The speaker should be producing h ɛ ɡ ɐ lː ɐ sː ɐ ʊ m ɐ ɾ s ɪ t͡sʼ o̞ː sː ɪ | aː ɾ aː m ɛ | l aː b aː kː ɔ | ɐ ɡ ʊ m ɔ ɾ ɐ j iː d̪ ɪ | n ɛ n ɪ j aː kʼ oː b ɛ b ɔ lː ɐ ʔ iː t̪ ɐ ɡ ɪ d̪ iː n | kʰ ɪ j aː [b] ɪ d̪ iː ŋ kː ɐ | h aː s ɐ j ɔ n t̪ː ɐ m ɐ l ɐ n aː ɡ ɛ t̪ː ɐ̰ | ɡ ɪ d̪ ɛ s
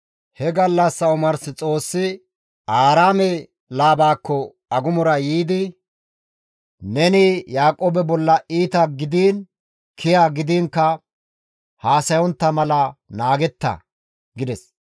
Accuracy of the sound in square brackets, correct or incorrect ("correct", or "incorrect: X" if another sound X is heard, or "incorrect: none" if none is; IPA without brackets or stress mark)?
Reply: incorrect: ɡ